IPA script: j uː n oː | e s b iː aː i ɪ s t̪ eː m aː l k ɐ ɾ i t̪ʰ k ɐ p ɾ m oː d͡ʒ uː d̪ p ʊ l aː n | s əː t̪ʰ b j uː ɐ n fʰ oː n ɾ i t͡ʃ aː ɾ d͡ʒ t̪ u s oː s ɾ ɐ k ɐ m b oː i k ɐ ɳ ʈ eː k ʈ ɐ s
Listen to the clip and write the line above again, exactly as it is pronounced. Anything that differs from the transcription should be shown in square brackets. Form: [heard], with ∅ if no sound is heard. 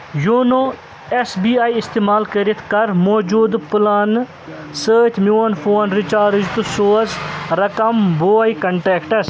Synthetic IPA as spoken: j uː n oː | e s b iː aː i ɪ s t̪ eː m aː l k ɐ ɾ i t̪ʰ k ɐ [∅] ɾ m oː d͡ʒ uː d̪ p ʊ l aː n | s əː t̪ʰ [m] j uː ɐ n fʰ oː n ɾ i t͡ʃ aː ɾ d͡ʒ t̪ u s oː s ɾ ɐ k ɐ m b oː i k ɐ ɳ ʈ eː k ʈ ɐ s

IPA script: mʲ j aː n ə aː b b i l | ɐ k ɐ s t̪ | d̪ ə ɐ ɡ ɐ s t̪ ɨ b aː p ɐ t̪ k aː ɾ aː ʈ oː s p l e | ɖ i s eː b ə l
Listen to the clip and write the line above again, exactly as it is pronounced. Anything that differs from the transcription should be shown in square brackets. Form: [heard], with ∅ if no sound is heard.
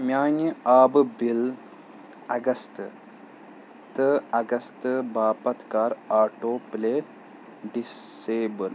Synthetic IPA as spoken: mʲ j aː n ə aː b b i l | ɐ [ɡ] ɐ s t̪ | [t̪] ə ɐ ɡ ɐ s t̪ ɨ b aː p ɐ t̪ k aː ɾ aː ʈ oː [∅] p l e | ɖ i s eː b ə l

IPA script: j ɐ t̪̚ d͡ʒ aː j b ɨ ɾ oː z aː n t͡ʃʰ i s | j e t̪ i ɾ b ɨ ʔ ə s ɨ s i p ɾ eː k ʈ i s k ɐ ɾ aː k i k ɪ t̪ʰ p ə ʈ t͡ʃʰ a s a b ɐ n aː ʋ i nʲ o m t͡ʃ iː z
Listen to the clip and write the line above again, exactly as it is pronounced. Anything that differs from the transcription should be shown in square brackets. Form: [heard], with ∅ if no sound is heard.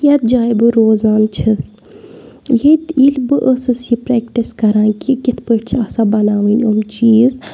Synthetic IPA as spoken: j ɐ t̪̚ d͡ʒ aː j b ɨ ɾ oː z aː n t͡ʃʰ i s | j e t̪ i [l] b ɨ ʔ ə s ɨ s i p ɾ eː k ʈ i s k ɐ ɾ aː k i k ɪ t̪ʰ p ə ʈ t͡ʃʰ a s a b ɐ n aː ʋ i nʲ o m t͡ʃ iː z

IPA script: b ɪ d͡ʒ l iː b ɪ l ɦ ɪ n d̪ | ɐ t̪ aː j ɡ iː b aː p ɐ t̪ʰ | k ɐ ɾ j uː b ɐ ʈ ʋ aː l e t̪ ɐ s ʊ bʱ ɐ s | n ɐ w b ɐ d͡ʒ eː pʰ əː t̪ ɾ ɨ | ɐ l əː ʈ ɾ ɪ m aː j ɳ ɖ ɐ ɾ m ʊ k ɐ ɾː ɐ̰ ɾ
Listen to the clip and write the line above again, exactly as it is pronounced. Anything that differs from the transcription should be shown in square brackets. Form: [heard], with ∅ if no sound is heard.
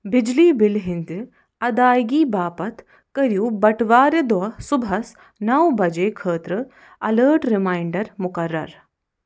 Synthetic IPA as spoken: b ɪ d͡ʒ l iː b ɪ l ɦ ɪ n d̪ | ɐ [d̪] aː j ɡ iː b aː p ɐ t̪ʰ | k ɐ ɾ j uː b ɐ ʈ ʋ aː [ɾ] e [d̪] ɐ s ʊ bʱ ɐ s | n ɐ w b ɐ d͡ʒ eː [kʰ] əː t̪ ɾ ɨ | ɐ l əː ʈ ɾ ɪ m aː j ɳ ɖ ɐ ɾ m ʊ k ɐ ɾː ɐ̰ ɾ

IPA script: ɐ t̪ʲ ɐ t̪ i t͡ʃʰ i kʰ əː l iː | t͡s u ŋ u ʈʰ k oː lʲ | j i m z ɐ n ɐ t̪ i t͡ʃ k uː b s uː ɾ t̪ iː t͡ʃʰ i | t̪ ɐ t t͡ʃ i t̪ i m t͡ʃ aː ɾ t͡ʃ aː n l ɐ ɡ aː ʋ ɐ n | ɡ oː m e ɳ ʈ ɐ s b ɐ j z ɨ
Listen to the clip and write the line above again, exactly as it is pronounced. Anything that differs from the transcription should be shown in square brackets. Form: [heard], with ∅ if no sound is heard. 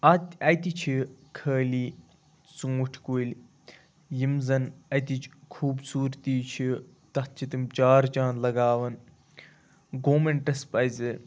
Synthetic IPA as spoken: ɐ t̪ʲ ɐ t̪ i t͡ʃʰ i kʰ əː l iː | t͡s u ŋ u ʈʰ k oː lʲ | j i m z ɐ n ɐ t̪ i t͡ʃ [kʰ] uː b s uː ɾ t̪ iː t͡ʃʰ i | t̪ ɐ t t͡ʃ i t̪ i m t͡ʃ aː ɾ t͡ʃ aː n l ɐ ɡ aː ʋ ɐ n | ɡ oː m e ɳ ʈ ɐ s [p] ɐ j z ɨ

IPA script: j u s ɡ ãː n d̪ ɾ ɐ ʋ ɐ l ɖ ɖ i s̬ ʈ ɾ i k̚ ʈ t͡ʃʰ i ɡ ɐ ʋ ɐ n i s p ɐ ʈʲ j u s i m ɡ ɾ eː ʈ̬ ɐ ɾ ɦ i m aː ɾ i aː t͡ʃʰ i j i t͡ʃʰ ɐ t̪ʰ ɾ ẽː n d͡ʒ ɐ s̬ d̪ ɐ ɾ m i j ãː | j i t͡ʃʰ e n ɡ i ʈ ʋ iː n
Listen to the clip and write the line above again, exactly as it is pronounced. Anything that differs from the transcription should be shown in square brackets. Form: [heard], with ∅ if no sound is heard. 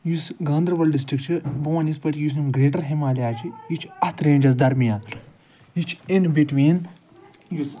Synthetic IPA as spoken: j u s ɡ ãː n d̪ ɾ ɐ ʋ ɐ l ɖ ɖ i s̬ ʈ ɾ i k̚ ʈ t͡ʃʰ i [b] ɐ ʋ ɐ n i s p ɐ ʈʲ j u s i m ɡ ɾ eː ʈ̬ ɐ ɾ ɦ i m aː [l] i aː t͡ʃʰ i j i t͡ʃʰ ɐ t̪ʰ ɾ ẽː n d͡ʒ ɐ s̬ d̪ ɐ ɾ m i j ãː | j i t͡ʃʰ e n [b] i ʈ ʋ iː n

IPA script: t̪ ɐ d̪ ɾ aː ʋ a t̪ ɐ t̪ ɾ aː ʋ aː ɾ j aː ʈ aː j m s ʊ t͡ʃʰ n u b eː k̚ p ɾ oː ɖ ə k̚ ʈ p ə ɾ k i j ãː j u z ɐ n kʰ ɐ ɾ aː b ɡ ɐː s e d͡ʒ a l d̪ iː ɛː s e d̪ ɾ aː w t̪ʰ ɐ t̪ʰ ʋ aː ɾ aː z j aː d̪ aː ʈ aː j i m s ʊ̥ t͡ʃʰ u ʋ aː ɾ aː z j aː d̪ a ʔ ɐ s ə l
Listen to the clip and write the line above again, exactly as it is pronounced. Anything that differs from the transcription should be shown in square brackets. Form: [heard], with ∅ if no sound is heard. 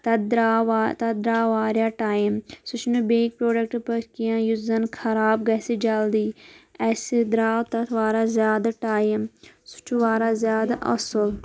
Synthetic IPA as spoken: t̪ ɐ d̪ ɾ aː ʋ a t̪ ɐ [d̪] ɾ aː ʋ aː ɾ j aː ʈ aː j m s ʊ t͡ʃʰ n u b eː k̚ p ɾ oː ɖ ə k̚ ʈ p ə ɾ k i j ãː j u z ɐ n kʰ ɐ ɾ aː b ɡ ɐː s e d͡ʒ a l d̪ iː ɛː s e d̪ ɾ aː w [t̪] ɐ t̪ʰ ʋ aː ɾ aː z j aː d̪ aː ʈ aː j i m s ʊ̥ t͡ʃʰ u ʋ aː ɾ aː z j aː d̪ a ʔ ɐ s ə l

